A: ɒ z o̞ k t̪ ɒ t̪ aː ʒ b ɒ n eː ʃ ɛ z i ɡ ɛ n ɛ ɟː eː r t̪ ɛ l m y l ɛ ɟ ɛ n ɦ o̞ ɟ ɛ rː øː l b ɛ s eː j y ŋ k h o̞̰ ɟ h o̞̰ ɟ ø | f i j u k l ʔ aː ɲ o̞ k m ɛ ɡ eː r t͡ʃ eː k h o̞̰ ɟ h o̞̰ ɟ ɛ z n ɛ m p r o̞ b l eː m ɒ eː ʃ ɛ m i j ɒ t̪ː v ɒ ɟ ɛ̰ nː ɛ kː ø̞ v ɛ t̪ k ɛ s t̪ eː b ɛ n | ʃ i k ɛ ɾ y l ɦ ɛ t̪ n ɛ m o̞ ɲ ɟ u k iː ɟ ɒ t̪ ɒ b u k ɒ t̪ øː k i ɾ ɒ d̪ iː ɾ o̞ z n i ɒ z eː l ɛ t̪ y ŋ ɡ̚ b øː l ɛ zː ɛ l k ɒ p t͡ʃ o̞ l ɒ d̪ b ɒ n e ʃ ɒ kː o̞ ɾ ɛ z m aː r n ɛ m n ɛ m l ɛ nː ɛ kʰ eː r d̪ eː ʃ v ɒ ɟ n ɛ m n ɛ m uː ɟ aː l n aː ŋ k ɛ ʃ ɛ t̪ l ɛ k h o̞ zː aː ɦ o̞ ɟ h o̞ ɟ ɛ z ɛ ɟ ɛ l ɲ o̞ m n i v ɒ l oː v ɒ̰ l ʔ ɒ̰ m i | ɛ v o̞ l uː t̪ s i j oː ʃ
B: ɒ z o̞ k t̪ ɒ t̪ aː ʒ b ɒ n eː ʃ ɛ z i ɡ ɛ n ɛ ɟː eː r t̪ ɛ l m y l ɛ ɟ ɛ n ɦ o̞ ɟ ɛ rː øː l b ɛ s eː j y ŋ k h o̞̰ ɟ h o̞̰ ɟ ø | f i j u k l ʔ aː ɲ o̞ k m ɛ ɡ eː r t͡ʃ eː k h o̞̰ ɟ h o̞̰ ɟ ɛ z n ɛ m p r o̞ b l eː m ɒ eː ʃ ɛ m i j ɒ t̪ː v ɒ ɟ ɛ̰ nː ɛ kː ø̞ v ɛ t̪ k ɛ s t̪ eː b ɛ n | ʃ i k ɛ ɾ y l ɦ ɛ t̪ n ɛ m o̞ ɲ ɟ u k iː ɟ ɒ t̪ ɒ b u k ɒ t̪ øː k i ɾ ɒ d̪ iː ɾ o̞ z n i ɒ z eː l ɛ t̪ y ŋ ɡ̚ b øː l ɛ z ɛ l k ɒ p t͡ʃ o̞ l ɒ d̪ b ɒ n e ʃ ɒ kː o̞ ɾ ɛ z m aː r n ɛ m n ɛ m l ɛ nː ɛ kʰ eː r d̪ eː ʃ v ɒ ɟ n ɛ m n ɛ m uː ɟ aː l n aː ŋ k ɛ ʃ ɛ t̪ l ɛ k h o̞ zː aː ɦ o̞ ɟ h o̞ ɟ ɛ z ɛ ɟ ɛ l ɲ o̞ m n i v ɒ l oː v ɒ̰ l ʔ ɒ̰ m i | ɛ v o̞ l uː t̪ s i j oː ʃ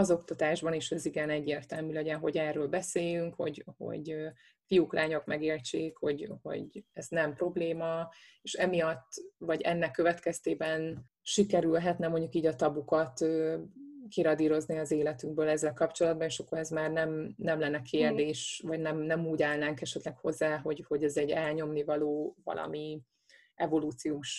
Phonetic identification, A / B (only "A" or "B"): A